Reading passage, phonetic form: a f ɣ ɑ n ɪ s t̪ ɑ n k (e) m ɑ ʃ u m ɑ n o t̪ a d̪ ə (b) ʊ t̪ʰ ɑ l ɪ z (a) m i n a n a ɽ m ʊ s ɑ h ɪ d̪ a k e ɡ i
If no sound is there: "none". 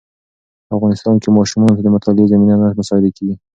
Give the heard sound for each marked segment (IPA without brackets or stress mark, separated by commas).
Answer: e, m, a